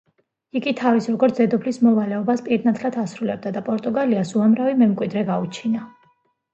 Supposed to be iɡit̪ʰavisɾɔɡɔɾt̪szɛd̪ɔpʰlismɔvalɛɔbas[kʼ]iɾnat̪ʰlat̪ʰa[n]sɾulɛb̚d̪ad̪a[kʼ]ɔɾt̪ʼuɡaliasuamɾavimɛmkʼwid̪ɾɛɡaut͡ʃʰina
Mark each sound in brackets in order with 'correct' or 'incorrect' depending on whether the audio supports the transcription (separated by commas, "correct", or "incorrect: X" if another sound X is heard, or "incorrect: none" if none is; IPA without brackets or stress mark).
incorrect: pʼ, incorrect: none, incorrect: pʼ